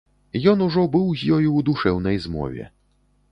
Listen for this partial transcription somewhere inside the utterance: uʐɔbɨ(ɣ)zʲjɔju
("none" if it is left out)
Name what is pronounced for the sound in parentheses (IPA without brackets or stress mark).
w